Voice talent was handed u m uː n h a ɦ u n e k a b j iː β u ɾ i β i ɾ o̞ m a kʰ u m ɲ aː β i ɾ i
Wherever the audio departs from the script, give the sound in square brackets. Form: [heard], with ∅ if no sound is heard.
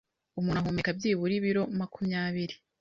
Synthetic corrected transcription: u m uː n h a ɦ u [m] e k a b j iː β u ɾ i β i ɾ o̞ m a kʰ u m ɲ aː β i ɾ i